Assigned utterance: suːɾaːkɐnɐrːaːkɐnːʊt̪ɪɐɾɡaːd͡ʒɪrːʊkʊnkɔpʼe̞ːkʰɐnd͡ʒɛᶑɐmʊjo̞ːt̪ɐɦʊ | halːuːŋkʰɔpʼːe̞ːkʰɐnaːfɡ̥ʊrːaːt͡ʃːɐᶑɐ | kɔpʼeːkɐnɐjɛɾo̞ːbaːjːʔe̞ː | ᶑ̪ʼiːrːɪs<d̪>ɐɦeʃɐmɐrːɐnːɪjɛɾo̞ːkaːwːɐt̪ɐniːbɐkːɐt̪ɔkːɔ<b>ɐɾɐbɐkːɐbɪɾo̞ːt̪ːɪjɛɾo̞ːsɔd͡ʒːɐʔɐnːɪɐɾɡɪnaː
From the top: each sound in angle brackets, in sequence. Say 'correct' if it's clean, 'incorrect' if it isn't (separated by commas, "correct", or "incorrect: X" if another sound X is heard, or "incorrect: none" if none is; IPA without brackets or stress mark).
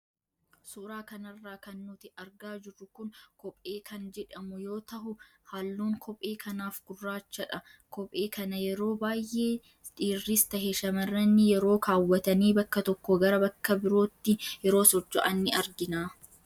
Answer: incorrect: t̪, incorrect: ɡ